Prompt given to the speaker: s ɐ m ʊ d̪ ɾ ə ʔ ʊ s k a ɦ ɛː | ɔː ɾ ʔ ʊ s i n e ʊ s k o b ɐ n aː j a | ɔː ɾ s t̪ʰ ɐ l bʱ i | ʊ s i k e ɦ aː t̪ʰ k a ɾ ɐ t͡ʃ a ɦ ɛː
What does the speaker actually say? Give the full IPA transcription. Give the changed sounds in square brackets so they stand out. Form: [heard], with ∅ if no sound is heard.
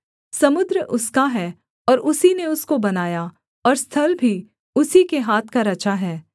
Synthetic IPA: s ɐ m ʊ d̪ ɾ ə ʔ ʊ s k a ɦ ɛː | ɔː ɾ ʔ ʊ s i n e ʊ s k o b ɐ n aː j a | ɔː ɾ s t̪ʰ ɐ l bʱ i | ʊ s i k e ɦ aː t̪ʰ k a ɾ ɐ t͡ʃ a ɦ ɛː